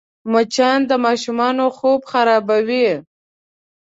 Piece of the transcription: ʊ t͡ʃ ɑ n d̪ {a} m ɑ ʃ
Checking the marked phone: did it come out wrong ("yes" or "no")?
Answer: yes